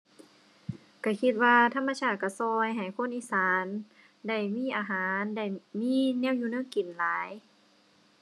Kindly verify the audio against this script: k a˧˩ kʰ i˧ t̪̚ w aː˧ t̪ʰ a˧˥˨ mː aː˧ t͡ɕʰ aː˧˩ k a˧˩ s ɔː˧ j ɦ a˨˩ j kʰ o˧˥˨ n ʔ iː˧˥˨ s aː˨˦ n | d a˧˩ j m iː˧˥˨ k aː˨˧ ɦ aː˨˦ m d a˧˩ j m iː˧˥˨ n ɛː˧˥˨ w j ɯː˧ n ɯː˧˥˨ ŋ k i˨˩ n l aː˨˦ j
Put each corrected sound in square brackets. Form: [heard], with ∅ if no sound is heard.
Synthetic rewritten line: k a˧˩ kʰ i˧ t̪̚ w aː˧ t̪ʰ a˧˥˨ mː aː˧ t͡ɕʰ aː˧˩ k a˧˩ s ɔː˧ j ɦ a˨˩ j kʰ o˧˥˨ n ʔ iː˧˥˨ s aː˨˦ n | d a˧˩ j m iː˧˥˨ [ʔ] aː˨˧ ɦ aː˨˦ [n] d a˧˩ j m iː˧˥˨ n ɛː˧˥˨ w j [uː˧] n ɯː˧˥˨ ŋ k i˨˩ n l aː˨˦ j

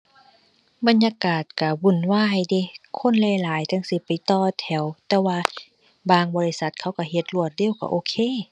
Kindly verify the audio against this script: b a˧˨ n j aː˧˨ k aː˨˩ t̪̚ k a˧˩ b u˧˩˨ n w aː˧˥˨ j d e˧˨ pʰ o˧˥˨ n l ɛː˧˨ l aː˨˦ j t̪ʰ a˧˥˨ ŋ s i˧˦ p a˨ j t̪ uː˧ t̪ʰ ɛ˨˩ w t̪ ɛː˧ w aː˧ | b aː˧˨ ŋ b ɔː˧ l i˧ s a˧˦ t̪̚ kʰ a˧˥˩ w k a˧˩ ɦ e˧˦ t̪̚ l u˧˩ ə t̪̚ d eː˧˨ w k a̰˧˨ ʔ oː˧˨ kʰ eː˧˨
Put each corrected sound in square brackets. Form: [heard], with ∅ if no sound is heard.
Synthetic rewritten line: b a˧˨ n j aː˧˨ k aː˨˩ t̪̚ k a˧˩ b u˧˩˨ n w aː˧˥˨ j d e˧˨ [kʰ] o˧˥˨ n l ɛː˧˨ l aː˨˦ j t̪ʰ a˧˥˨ ŋ s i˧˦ p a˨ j t̪ [ɔː˧] t̪ʰ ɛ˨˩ w t̪ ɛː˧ w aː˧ | b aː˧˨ ŋ b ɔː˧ l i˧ s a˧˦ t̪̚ kʰ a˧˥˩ w k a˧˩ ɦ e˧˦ t̪̚ l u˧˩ ə t̪̚ d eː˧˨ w k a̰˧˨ ʔ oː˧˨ kʰ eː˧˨

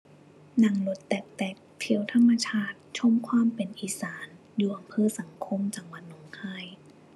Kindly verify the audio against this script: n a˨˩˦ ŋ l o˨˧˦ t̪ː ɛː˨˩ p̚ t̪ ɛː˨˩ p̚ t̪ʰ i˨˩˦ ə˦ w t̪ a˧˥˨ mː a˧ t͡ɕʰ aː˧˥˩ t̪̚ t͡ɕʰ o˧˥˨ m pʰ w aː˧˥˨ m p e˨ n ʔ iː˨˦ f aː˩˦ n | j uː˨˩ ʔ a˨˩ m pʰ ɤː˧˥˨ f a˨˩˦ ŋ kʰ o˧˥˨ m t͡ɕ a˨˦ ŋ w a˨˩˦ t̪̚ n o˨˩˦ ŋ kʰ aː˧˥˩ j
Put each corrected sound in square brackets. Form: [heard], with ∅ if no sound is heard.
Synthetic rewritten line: n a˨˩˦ ŋ l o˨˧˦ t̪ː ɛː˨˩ [k̚] t̪ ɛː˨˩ [k̚] t̪ʰ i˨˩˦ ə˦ w [t̪ʰ] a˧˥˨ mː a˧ t͡ɕʰ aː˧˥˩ t̪̚ t͡ɕʰ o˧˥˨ m [kʰ] w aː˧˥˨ m p e˨ n ʔ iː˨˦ [s] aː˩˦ n | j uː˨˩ ʔ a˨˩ m pʰ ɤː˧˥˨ [s] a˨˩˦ ŋ kʰ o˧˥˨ m t͡ɕ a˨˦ ŋ w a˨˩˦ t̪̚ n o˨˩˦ ŋ kʰ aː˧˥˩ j

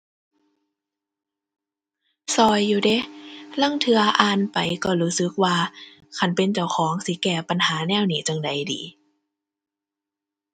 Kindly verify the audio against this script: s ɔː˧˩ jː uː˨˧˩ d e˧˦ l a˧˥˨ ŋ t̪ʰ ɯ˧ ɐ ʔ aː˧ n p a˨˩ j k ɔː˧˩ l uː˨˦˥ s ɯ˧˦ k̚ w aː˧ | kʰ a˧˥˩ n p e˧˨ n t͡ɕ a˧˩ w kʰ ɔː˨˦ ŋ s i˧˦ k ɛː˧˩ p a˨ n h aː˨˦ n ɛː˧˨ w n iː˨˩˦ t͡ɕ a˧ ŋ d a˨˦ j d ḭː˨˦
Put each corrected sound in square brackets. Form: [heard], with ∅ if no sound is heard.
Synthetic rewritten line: s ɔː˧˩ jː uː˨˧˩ d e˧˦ l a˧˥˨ ŋ t̪ʰ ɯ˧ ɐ ʔ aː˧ n p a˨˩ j k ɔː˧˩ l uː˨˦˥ s ɯ˧˦ k̚ w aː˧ | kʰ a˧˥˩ n p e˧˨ n t͡ɕ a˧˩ w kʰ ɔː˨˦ ŋ s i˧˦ k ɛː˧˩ p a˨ n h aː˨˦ n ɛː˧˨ w n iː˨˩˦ t͡ɕ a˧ ŋ d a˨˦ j d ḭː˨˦

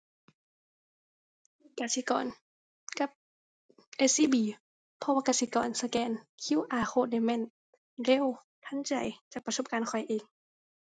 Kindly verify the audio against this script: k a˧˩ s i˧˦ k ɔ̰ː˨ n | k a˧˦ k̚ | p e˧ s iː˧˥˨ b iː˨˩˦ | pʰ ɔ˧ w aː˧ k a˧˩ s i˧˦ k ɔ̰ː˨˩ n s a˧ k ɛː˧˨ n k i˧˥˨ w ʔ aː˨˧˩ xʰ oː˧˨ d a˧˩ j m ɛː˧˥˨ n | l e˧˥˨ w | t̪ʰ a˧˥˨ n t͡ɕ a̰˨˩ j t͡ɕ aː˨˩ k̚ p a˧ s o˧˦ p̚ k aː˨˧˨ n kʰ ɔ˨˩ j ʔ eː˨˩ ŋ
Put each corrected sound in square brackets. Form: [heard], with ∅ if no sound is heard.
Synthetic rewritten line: k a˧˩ s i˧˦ k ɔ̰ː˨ n | k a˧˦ [p̚] | [ʔ] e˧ s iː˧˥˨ b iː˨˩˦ | pʰ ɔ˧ w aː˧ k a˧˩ s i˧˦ k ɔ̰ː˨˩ n s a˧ k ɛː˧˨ n [kʰ] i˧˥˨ w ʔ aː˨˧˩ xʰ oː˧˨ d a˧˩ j m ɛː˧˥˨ n | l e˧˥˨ w | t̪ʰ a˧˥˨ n t͡ɕ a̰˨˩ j t͡ɕ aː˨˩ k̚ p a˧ s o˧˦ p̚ k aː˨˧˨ n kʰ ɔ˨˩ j ʔ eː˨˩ ŋ

